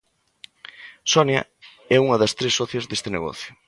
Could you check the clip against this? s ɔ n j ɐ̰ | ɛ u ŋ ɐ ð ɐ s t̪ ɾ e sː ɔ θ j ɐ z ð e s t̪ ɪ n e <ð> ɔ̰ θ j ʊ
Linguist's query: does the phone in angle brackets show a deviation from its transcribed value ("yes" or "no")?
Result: yes